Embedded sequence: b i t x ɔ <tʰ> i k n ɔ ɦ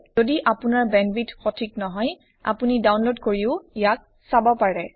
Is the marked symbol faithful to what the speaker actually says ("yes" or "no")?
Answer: yes